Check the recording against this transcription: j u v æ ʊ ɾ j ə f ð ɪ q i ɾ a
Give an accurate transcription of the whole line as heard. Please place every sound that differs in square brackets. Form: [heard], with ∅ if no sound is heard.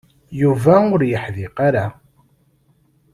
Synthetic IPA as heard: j u v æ ʊ ɾ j ə [ħ] ð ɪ q [a] ɾ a

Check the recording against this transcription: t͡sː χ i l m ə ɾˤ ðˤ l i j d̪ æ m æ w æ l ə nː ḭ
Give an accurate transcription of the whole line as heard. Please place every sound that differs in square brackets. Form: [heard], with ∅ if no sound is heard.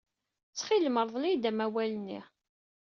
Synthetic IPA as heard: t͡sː χ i l m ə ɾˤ ðˤ l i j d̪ æ m æ w æ l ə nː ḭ

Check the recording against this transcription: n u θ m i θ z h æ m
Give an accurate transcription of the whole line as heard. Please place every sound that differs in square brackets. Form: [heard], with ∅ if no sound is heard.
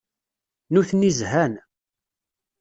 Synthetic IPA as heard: n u θ [n] i [∅] z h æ [n]

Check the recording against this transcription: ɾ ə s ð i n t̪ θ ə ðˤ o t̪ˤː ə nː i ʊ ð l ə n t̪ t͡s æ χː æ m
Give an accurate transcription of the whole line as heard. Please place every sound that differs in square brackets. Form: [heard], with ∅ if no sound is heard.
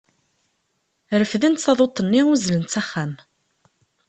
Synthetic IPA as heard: ɾ ə [f] ð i n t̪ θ [ɑ] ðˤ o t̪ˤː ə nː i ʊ [z] l ə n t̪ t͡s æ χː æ m

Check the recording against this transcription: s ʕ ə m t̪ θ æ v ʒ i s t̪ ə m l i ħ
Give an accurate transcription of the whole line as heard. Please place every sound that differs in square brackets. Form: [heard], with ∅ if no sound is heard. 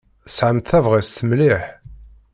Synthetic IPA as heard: s ʕ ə m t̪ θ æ v [ʁ] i s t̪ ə m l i ħ

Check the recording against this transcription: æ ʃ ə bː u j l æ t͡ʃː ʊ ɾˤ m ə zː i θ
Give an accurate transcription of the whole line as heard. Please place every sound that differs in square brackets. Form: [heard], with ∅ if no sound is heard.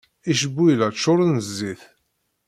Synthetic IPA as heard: [i] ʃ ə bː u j l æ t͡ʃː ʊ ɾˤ [n] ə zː i θ

